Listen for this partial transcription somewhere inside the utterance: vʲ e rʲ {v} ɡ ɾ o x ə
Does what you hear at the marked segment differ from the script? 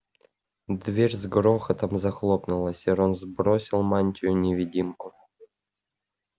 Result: yes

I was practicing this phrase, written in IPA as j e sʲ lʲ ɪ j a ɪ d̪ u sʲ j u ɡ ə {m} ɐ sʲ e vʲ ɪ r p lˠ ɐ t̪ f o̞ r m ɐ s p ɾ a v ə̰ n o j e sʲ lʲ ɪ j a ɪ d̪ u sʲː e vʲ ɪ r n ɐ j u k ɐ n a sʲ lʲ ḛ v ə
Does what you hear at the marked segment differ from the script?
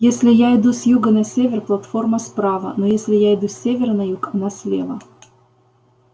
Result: yes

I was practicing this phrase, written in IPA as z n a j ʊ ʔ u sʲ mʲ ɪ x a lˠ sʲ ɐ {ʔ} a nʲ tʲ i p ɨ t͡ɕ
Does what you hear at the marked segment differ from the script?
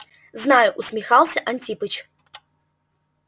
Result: no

